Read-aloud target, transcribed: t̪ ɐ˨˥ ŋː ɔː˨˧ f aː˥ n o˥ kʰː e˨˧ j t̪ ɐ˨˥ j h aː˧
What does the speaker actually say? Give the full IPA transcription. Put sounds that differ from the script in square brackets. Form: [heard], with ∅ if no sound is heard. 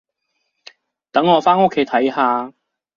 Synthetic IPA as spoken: t̪ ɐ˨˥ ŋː ɔː˨˧ f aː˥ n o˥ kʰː e˨˧ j [t̪ʰ] ɐ˨˥ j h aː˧